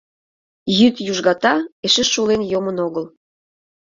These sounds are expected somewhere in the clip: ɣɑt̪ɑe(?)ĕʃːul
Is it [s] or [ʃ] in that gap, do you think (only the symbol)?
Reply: ʃ